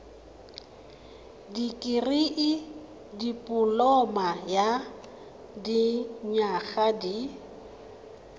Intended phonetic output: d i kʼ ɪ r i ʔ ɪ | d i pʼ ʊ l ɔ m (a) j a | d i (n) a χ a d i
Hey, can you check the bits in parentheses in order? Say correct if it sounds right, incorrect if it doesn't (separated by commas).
correct, incorrect